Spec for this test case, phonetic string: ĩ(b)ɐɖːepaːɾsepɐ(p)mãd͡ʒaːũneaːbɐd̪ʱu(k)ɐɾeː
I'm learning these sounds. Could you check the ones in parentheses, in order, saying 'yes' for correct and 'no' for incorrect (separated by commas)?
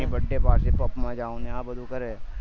yes, yes, yes